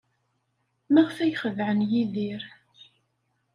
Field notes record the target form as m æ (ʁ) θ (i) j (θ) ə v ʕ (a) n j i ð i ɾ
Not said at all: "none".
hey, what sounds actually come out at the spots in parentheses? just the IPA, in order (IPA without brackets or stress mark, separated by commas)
ʁ, æ, χ, ə